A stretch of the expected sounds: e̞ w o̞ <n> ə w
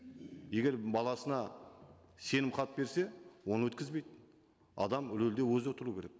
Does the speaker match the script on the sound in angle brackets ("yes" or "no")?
yes